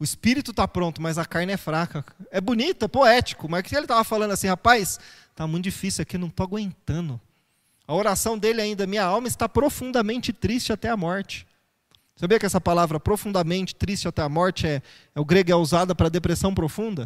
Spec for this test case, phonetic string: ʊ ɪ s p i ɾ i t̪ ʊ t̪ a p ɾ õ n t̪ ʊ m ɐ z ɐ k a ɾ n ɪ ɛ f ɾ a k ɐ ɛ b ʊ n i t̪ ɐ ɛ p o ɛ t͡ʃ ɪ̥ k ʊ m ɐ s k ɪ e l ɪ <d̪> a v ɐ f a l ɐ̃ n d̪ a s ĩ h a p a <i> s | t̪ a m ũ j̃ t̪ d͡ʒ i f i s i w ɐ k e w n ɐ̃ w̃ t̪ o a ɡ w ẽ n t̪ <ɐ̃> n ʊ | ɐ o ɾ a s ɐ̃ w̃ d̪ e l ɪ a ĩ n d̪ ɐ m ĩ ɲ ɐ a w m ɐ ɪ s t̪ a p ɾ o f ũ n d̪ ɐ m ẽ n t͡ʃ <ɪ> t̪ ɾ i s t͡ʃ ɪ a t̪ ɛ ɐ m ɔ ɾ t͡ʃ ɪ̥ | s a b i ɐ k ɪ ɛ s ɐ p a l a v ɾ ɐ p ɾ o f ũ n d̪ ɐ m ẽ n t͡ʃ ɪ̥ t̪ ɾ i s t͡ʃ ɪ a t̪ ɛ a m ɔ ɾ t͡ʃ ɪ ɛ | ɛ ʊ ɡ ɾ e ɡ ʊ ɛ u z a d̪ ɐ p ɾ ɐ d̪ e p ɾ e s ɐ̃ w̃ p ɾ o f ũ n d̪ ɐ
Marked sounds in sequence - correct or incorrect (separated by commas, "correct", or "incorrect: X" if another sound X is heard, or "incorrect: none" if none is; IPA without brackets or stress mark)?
incorrect: t̪, incorrect: j, correct, correct